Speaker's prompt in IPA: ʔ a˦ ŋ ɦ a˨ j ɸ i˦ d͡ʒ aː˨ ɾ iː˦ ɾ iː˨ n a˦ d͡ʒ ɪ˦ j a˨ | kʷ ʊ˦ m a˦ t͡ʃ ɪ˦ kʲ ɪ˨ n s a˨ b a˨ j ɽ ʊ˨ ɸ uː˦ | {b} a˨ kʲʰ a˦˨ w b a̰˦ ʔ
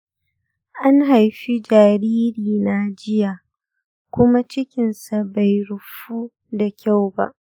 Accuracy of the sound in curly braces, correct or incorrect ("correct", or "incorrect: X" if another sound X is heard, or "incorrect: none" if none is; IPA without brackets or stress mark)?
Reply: incorrect: d